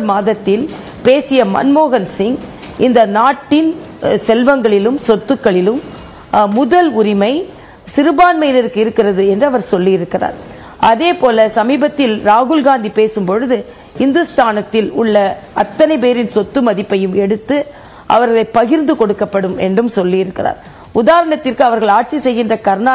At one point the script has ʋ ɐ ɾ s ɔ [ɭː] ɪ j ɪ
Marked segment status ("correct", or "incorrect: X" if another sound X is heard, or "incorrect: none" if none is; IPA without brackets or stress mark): incorrect: lː